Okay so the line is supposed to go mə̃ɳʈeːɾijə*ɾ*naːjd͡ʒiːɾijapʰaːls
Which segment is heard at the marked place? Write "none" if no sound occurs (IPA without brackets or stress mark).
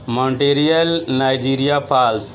l